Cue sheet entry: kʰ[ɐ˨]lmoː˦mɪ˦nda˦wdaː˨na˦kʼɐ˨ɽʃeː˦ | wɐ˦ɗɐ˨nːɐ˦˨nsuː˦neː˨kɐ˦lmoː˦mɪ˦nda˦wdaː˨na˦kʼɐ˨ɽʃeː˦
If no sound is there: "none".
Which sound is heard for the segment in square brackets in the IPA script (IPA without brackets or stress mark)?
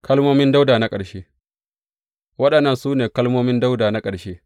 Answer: ɐ˦